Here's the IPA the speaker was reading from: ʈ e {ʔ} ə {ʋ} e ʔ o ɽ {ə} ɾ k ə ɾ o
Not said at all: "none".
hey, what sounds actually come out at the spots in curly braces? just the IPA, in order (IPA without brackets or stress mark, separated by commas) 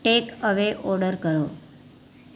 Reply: k, ʋ, ə